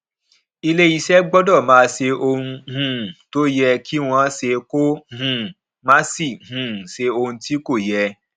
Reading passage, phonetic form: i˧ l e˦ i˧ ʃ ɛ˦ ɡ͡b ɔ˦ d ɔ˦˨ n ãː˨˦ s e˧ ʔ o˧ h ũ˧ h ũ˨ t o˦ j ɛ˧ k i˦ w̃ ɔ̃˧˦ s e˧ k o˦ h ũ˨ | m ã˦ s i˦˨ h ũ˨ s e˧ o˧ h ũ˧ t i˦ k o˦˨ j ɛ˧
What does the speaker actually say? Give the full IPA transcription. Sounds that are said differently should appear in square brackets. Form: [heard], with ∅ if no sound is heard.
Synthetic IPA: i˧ l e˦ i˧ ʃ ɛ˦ ɡ͡b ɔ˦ d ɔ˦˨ [m] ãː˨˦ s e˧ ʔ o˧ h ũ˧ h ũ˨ t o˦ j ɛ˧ k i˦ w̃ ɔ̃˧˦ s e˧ k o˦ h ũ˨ | m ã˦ s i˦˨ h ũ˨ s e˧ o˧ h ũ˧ t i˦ k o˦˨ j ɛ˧